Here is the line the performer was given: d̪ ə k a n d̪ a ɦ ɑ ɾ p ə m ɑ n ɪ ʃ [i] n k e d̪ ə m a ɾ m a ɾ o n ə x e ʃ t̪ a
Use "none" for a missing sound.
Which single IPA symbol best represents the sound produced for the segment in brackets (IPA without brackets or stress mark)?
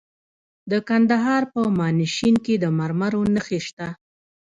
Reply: i